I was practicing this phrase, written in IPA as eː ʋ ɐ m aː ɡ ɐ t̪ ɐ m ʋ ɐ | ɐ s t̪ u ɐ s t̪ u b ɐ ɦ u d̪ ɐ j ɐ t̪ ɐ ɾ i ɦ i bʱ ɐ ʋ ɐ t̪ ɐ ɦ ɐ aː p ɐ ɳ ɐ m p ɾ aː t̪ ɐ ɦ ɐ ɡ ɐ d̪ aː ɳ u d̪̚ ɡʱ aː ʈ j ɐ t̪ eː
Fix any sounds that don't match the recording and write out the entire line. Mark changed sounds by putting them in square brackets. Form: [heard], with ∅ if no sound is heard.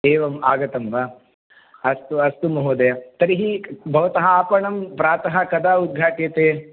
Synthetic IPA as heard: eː ʋ ɐ m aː ɡ ɐ t̪ ɐ m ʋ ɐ | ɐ s t̪ u ɐ s t̪ u [m] ɐ ɦ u d̪ ɐ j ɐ t̪ ɐ ɾ i ɦ i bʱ ɐ ʋ ɐ t̪ ɐ ɦ ɐ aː p ɐ ɳ ɐ m p ɾ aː t̪ ɐ ɦ ɐ [k] ɐ d̪ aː [∅] u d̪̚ ɡʱ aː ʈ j ɐ t̪ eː